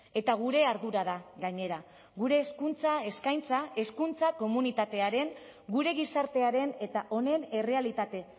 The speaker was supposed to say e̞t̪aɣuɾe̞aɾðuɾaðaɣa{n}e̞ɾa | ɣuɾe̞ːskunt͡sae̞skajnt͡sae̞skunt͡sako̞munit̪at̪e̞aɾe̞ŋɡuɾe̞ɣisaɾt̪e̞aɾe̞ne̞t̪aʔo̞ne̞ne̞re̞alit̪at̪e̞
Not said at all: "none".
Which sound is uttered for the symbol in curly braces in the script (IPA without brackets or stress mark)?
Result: ɲ